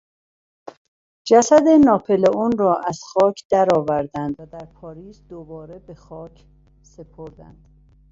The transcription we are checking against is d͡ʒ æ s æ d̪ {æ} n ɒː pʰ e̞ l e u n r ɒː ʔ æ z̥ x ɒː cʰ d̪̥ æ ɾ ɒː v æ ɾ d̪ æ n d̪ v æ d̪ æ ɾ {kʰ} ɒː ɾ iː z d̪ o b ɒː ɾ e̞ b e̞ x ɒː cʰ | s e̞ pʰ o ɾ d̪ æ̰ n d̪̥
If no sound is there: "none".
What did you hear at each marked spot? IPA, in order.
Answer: e, pʰ

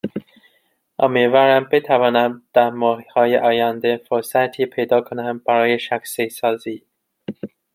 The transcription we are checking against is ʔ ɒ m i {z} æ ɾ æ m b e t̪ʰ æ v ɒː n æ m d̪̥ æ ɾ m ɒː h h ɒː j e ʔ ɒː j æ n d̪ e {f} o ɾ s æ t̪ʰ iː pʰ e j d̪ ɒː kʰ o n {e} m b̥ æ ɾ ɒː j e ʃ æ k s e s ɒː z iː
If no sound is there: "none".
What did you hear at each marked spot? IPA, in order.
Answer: v, f, æ

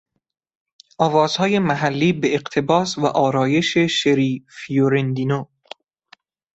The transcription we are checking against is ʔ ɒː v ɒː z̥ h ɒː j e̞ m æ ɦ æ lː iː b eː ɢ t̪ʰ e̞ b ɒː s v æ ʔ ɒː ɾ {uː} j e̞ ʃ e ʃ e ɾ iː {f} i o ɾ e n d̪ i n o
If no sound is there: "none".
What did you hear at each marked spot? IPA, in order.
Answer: ɒː, f

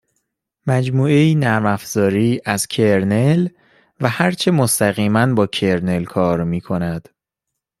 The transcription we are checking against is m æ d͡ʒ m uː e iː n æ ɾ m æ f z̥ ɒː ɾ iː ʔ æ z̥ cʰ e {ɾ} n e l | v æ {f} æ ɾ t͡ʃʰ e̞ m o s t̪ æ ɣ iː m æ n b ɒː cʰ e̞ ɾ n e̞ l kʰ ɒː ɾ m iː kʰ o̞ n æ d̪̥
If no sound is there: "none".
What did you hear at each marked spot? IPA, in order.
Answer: ɾ, h

